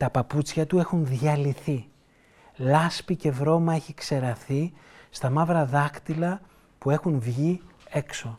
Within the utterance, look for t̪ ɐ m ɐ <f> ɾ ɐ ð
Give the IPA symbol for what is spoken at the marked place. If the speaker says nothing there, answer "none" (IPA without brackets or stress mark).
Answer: v